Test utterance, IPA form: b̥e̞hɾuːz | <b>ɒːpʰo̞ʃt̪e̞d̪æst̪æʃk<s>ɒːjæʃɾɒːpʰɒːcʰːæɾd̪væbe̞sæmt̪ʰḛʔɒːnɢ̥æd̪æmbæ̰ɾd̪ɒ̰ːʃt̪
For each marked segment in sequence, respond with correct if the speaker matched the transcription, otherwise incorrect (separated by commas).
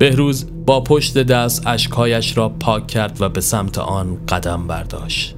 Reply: correct, incorrect